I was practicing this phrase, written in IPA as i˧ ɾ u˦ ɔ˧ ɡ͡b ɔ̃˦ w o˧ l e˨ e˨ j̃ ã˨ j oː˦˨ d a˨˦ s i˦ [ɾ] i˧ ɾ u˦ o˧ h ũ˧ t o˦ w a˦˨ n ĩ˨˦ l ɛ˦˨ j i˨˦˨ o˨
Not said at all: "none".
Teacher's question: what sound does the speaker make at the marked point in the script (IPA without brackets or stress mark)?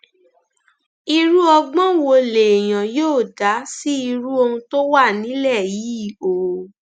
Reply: none